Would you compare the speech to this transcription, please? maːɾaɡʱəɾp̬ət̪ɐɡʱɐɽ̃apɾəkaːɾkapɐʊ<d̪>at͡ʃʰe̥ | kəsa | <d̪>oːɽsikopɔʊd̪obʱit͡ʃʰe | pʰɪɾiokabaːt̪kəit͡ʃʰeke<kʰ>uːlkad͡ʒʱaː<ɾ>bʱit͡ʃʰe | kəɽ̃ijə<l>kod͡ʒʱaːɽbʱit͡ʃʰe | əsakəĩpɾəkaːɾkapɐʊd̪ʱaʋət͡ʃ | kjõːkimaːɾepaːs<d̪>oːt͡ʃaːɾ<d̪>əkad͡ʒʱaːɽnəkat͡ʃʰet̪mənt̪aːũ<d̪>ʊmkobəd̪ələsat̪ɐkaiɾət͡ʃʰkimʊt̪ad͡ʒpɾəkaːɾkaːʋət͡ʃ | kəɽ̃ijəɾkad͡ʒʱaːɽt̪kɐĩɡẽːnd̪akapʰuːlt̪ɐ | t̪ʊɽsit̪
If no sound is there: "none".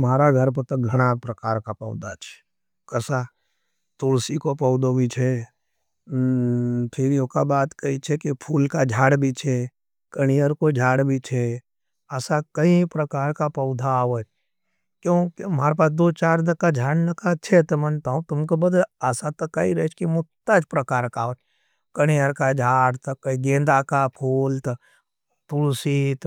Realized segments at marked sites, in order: d̪, t̪, pʰ, ɽ, ɾ, d̪, d̪, t̪

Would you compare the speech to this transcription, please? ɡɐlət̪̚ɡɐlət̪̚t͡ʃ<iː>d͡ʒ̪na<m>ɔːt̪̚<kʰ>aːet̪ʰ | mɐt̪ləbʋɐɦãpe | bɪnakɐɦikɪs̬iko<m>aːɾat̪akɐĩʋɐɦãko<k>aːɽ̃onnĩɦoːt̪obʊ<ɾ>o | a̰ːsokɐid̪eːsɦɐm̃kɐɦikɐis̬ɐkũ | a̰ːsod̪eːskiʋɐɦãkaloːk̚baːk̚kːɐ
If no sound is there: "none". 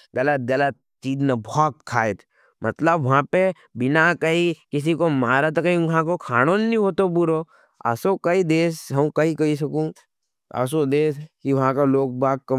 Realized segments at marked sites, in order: iː, b, kʰ, m, kʰ, ɾ

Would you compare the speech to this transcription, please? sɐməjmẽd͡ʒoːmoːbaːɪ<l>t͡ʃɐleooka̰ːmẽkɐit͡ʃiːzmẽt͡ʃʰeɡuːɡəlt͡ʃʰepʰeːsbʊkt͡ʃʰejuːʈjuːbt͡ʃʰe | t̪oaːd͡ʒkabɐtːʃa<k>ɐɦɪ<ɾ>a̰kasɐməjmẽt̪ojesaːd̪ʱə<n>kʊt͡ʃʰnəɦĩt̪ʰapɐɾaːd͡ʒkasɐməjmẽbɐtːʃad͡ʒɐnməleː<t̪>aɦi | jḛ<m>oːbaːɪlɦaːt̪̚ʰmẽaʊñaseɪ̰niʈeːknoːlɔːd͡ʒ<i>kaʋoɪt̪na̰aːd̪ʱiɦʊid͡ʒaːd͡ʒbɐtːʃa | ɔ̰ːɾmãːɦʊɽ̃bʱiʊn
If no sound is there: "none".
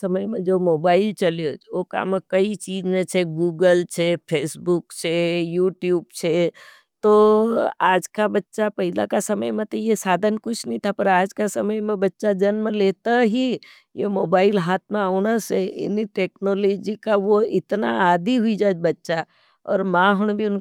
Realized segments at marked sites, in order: l, p, l, n, t̪, m, i

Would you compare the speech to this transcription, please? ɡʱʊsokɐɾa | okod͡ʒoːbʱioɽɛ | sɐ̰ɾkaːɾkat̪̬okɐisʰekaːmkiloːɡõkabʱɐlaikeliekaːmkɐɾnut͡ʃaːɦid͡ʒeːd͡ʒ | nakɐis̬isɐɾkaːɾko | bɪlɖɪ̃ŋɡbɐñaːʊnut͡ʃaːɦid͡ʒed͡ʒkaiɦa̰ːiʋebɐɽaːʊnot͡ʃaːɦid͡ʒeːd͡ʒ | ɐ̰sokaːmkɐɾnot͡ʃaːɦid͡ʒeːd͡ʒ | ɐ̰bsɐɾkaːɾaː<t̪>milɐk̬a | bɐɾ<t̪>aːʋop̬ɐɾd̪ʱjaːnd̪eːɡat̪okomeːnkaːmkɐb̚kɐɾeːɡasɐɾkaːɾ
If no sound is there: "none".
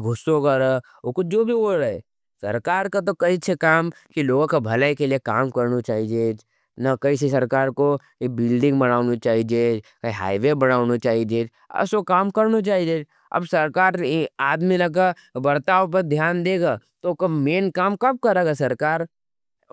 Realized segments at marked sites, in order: d̪, t̪

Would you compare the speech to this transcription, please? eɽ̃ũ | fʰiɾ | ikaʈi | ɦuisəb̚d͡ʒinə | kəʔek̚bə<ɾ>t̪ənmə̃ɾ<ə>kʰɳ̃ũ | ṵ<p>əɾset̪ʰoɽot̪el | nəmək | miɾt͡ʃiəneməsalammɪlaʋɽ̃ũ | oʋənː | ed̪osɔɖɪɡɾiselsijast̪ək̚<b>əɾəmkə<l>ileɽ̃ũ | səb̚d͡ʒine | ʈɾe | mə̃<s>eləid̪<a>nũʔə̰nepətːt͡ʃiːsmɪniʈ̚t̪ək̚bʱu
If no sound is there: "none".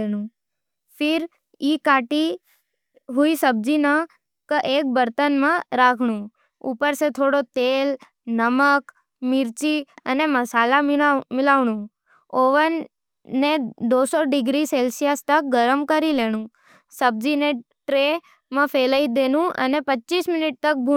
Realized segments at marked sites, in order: ɾ, a, p, ɡ, ɾ, f, e

